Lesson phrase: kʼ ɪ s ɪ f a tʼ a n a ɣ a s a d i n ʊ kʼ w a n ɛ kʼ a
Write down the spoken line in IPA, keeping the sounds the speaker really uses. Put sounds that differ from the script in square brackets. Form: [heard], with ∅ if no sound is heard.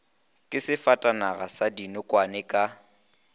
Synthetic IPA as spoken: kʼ ɪ s ɪ f a tʼ a n a ɣ a s a d i n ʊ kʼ w a n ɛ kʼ a